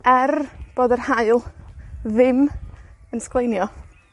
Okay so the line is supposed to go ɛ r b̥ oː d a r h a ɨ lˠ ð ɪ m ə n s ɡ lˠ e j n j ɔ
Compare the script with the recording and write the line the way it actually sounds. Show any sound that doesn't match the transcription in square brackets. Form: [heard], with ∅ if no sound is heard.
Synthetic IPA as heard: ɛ r b̥ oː d [ə] r h a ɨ lˠ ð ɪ m ə n s [k] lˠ e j n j ɔ